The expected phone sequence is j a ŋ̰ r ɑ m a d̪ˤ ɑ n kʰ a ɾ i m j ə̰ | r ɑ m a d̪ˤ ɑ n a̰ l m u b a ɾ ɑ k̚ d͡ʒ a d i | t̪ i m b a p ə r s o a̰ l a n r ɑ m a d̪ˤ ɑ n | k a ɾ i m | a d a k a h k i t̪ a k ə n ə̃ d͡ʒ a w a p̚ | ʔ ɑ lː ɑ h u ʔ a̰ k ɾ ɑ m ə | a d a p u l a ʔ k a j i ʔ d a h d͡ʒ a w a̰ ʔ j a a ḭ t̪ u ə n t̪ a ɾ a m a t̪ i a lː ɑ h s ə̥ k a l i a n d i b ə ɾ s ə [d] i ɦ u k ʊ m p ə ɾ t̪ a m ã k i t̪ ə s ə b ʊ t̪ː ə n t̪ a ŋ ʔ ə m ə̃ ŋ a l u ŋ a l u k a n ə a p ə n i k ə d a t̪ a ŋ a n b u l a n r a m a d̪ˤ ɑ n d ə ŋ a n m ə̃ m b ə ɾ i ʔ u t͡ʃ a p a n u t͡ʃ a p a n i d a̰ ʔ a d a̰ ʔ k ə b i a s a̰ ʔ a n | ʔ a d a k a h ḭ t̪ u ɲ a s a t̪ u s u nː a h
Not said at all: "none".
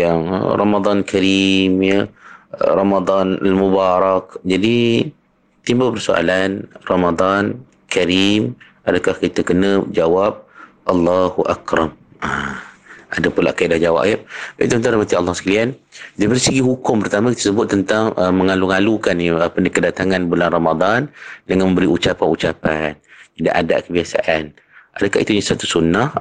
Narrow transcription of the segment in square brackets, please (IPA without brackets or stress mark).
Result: ɡ